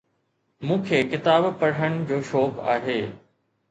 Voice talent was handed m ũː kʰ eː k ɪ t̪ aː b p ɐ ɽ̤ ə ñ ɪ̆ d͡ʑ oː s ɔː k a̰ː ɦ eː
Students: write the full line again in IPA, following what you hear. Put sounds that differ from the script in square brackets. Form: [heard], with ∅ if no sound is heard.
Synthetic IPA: m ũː kʰ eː k ɪ t̪ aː b p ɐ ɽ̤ ə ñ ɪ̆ d͡ʑ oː [ʃ] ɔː k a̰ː ɦ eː

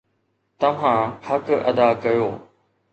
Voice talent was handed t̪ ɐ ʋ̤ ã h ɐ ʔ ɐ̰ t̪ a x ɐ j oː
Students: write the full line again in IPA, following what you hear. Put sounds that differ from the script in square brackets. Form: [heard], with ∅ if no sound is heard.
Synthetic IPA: t̪ ɐ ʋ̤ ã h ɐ [k] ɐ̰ [d̪] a [k] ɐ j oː

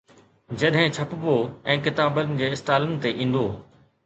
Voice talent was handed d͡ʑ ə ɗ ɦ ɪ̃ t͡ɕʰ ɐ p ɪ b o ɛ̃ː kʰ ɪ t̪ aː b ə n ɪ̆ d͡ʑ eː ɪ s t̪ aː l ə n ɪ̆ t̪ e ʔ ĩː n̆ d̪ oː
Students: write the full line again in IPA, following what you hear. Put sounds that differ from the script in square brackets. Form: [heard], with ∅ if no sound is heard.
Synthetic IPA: d͡ʑ [ɐ] ɗ ɦ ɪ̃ t͡ɕʰ ɐ p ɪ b o ɛ̃ː [k] ɪ t̪ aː b ə n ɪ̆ d͡ʑ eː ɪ s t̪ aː l ə n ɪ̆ t̪ e ʔ ĩː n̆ d̪ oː

